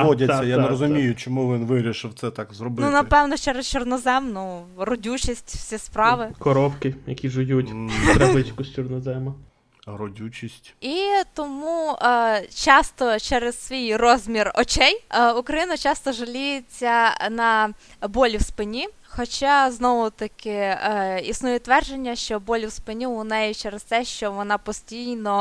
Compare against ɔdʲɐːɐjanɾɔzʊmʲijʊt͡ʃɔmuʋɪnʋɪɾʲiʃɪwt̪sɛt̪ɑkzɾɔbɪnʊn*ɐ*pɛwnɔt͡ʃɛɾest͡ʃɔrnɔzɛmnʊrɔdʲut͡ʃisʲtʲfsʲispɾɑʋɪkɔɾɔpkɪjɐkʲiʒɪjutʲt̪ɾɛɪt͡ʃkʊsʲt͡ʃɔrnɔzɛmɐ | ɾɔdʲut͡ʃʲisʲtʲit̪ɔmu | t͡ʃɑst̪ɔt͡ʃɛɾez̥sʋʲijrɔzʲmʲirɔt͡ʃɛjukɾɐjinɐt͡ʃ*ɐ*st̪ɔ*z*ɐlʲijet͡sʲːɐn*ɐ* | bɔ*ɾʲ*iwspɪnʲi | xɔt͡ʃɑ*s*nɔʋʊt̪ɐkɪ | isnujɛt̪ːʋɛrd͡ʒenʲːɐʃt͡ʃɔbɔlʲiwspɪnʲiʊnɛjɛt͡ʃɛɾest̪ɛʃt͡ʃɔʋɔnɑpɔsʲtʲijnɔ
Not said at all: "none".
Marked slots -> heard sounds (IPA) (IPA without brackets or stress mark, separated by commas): ɐ, ɑ, ʒ, ɐ, lʲ, z